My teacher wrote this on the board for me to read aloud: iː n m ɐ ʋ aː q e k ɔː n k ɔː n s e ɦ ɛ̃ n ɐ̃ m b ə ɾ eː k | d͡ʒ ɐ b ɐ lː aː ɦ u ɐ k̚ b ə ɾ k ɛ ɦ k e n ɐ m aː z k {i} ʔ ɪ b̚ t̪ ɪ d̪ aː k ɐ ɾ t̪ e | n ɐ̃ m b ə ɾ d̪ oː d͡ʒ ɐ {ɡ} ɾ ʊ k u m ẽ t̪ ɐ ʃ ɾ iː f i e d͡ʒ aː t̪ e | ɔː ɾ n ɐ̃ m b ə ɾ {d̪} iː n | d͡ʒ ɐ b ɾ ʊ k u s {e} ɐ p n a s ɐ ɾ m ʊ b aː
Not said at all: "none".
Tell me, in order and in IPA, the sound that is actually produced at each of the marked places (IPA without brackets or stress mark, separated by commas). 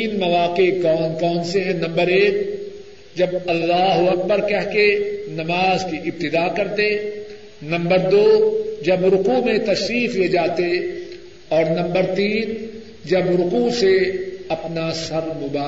i, b, t̪, e